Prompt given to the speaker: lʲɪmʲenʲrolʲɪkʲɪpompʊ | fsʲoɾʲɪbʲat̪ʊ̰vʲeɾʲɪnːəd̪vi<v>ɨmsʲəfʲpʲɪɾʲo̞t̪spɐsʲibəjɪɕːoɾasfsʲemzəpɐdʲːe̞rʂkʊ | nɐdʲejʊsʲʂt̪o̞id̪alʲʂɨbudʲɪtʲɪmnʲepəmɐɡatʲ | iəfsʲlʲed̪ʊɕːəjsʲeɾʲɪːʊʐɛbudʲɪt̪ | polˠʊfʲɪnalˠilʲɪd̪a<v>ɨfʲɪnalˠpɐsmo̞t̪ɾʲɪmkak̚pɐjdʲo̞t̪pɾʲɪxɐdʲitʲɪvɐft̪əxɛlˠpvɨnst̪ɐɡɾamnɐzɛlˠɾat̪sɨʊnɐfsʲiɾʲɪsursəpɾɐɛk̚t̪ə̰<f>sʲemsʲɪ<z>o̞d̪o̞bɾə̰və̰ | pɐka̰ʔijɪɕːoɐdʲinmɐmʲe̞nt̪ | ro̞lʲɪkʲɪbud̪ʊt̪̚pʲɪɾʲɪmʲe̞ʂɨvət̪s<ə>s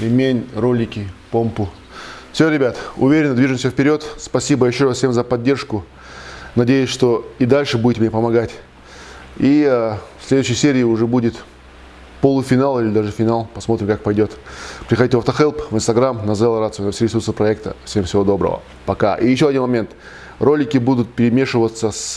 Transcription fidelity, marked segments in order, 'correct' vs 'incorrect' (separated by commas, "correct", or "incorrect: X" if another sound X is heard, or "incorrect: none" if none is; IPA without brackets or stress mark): incorrect: ʐ, incorrect: ʐ, correct, incorrect: v, correct